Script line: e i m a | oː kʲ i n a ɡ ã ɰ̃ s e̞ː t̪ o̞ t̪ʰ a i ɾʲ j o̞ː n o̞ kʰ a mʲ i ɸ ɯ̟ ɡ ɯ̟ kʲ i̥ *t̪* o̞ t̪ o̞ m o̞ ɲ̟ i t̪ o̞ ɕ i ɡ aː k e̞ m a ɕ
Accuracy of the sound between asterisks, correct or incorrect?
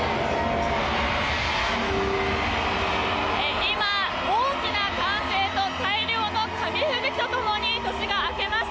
correct